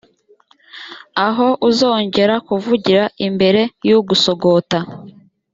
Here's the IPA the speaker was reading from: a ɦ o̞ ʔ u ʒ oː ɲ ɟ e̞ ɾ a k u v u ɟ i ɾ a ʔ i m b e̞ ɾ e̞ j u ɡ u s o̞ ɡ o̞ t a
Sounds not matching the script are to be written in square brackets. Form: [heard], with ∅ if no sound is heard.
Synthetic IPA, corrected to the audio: a ɦ o̞ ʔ u [z] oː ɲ ɟ e̞ ɾ a k u v u ɟ i ɾ a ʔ i m b e̞ ɾ e̞ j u ɡ u s o̞ ɡ o̞ t a